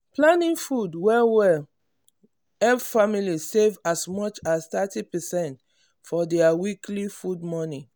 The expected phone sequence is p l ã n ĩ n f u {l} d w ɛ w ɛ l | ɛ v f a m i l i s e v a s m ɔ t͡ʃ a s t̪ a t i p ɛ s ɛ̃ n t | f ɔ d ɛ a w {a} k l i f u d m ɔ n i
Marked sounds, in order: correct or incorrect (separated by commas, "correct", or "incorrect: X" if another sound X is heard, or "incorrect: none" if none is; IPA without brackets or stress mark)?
incorrect: none, incorrect: i